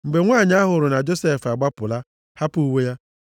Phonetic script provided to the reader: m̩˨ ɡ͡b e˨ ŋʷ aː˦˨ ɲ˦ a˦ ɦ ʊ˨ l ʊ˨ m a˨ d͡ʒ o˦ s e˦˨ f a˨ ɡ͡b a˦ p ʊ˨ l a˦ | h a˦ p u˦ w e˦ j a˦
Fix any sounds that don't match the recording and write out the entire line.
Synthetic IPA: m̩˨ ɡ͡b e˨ ŋʷ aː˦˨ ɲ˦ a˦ ɦ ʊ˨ ɾ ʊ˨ n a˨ d͡ʒ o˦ s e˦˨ f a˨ ɡ͡b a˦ p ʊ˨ l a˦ | h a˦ p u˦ w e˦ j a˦

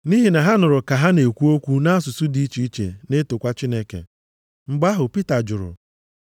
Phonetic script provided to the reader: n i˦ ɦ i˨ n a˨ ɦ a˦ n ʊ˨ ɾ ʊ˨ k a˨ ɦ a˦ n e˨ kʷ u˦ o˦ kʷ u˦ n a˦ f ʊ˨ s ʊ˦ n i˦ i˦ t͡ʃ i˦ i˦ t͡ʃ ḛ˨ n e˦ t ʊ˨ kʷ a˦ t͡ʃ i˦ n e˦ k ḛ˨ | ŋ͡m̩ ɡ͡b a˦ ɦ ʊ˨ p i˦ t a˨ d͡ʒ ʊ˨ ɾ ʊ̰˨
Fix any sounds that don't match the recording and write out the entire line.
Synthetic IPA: n i˦ ɦ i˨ n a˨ ɦ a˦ n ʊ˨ ɾ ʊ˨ k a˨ ɦ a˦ n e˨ kʷ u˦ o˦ kʷ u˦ n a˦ s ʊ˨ s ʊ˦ d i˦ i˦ t͡ʃ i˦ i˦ t͡ʃ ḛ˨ n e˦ t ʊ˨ kʷ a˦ t͡ʃ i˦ n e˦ k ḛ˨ | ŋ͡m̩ ɡ͡b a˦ ɦ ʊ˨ p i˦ t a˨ d͡ʒ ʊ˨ ɾ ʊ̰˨

